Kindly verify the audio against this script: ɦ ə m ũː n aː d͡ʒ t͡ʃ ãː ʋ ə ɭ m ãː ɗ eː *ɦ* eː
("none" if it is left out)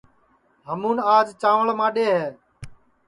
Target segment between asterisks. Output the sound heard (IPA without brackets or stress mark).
ɦ